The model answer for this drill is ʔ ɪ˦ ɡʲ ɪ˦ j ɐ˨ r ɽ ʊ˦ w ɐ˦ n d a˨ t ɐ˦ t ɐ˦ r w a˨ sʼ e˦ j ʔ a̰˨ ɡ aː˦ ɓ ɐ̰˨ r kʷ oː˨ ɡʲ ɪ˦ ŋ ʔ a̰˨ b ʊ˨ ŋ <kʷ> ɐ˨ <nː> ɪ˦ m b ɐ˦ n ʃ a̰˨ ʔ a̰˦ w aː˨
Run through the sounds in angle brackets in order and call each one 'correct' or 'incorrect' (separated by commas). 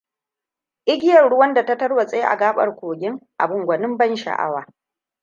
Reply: incorrect, incorrect